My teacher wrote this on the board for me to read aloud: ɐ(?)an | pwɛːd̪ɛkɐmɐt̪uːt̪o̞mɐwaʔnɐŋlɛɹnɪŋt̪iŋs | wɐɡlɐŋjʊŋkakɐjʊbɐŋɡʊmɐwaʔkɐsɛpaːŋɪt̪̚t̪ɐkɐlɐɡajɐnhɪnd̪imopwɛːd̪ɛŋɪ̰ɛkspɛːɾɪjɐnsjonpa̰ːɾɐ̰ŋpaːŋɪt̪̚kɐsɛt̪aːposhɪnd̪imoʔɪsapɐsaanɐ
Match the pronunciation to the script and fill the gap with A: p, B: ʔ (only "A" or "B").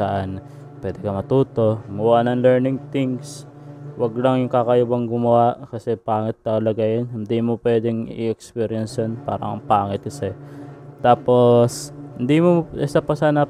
B